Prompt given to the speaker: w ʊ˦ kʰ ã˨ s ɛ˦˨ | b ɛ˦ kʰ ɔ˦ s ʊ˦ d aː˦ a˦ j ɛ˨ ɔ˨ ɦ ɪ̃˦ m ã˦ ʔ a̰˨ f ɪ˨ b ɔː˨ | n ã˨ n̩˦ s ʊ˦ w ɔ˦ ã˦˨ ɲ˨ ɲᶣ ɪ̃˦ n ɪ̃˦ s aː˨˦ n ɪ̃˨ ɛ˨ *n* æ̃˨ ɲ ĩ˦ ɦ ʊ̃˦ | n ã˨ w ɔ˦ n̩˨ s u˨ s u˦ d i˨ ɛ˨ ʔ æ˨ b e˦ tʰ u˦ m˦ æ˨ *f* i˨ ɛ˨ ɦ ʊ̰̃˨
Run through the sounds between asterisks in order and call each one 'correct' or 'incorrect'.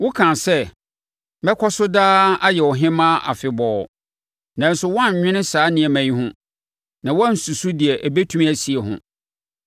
incorrect: m, incorrect: s

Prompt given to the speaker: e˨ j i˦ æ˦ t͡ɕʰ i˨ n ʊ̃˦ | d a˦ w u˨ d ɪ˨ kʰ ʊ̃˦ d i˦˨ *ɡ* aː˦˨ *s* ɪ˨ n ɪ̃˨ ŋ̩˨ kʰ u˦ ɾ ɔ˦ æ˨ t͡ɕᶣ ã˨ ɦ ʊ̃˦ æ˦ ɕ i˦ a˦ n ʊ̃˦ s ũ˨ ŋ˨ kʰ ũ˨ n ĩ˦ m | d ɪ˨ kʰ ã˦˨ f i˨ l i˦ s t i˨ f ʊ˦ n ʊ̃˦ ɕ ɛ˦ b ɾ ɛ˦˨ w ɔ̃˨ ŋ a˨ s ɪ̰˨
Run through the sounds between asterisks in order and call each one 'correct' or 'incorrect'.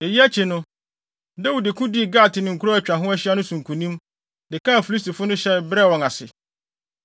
correct, incorrect: t

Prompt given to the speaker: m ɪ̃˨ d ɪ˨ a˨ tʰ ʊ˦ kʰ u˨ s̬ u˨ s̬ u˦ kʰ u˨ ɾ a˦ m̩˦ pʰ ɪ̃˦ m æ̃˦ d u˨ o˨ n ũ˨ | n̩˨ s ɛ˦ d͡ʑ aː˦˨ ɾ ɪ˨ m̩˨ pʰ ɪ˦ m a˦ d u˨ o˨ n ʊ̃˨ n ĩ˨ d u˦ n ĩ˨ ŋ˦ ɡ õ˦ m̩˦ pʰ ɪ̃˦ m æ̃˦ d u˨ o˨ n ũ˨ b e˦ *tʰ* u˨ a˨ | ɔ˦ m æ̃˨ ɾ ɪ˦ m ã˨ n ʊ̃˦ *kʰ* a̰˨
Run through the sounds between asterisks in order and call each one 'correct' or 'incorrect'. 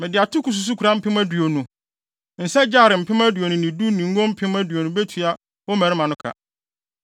correct, correct

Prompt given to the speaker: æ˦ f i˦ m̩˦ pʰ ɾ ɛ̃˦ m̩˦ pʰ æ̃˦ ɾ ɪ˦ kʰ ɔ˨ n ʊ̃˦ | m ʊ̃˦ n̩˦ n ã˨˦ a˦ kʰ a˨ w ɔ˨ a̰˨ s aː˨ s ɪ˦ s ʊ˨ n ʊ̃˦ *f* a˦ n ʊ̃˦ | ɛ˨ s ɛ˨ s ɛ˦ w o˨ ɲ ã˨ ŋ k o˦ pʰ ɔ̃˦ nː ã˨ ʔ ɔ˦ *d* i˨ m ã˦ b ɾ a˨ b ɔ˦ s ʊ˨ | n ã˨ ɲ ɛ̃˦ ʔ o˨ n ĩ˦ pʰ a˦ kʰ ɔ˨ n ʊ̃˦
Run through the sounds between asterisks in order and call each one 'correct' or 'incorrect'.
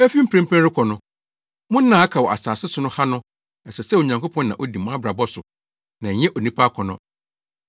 incorrect: h, correct

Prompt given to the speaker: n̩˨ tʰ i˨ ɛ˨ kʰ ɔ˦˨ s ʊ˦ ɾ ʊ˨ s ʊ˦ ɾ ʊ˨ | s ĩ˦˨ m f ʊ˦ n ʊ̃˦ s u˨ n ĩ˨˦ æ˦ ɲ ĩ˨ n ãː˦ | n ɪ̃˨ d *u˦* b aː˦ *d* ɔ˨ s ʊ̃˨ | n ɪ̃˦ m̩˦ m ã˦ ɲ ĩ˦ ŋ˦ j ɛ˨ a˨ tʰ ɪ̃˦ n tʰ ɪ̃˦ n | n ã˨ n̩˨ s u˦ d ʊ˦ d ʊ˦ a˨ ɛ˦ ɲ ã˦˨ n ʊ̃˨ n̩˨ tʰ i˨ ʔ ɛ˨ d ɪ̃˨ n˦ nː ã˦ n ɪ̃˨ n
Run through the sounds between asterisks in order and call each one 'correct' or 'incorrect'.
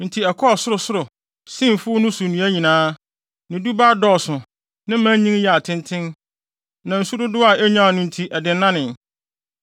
correct, correct

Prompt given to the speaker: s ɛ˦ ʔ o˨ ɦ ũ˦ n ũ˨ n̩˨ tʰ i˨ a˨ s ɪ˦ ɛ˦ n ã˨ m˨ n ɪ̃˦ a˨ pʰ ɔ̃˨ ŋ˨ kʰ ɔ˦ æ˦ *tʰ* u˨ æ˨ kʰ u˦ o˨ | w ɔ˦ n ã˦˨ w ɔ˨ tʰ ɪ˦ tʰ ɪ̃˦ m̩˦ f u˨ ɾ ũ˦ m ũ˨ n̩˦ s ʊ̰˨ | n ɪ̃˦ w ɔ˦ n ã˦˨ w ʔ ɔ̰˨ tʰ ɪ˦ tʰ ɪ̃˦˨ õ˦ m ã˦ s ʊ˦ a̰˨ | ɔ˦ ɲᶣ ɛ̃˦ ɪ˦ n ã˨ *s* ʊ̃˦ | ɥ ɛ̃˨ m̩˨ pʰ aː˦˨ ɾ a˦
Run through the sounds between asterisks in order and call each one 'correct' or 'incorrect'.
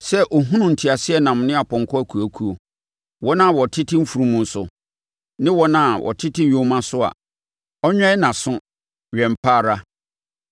incorrect: kʰ, correct

